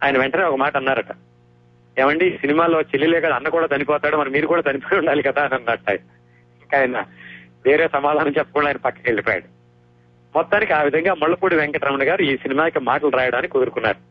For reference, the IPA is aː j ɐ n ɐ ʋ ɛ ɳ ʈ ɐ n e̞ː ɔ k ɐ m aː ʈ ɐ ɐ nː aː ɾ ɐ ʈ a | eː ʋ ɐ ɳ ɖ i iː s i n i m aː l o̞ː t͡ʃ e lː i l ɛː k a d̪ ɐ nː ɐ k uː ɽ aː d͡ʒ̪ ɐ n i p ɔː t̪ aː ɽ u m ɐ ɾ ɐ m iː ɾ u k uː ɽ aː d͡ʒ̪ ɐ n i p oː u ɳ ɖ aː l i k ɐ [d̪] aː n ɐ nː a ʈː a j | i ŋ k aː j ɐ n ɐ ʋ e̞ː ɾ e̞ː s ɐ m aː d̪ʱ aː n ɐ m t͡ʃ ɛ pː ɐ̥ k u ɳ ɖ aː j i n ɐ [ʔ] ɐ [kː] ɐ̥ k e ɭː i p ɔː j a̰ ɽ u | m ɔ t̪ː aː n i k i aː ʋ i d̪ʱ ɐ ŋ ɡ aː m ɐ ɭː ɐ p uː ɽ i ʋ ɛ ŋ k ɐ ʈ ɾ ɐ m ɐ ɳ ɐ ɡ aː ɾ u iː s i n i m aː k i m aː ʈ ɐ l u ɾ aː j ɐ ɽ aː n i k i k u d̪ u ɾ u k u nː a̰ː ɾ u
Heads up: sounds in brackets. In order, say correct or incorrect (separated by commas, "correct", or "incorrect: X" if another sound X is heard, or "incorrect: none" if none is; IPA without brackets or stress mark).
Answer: correct, incorrect: p, correct